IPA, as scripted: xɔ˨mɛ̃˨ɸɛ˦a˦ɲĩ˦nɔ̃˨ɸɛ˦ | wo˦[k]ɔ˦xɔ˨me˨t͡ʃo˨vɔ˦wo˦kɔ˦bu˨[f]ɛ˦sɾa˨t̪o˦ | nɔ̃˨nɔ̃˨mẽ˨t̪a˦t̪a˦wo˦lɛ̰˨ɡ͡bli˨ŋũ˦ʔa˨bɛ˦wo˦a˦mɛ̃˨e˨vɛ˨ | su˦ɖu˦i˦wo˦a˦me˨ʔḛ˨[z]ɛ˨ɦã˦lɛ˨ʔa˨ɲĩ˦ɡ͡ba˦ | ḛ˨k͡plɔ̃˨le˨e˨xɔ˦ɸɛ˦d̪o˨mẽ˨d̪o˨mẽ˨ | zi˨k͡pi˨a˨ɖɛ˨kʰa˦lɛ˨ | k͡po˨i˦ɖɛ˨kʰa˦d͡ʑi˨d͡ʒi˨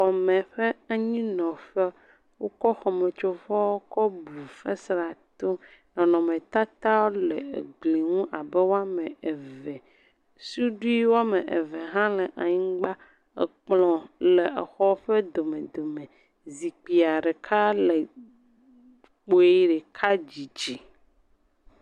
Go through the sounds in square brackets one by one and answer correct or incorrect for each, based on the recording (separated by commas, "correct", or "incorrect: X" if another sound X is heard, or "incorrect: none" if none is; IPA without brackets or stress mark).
correct, correct, incorrect: v